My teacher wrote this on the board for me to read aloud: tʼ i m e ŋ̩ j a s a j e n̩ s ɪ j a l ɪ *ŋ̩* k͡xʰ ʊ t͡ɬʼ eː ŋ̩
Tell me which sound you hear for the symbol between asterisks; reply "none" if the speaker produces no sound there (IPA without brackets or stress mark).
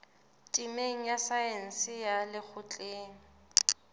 none